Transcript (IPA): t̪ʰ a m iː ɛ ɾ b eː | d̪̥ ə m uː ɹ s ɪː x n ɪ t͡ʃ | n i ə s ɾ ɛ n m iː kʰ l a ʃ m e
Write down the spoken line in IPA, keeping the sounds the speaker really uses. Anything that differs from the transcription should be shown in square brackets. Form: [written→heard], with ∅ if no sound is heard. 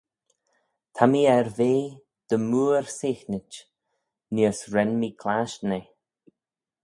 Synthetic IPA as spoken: t̪ʰ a m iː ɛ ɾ [b→v] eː | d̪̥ ə m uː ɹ s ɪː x n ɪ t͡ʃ | n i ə s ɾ ɛ n m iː kʰ l a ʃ [m→n] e